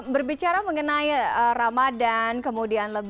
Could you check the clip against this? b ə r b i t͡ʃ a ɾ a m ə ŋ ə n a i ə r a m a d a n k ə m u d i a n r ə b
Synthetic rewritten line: b ə r b i t͡ʃ a ɾ a m ə ŋ ə n a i ə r a m a d a n k ə m u d i a n l ə b